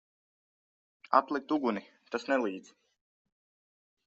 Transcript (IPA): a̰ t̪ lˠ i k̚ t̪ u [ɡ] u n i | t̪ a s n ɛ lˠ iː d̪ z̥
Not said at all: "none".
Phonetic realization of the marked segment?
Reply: ɡ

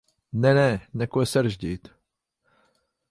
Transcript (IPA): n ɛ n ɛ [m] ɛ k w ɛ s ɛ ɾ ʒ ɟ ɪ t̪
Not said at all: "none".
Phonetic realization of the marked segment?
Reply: n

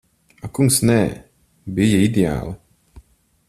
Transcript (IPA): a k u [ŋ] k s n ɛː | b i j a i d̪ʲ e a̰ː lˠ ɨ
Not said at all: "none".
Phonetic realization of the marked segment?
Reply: ŋ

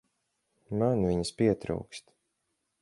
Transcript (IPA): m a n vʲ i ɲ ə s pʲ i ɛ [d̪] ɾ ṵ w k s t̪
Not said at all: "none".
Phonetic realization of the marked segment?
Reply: t̪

